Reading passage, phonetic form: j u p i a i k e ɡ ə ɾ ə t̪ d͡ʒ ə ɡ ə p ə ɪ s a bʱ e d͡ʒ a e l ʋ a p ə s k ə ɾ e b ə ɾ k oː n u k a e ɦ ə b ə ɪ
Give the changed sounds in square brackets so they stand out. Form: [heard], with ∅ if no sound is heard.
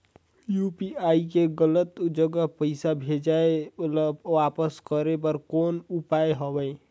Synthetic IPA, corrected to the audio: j u p i a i k e ɡ ə [l] ə t̪ d͡ʒ ə ɡ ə p ə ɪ s a bʱ e d͡ʒ a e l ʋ a p ə s k ə ɾ e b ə ɾ k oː n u [p] a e ɦ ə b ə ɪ